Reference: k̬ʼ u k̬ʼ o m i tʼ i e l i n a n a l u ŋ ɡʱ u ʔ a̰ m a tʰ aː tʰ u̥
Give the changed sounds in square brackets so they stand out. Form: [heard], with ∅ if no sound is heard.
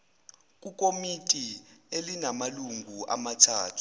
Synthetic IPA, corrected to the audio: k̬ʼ u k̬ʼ o m i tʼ i e l i n a [m] a l u ŋ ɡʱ u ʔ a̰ m a tʰ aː tʰ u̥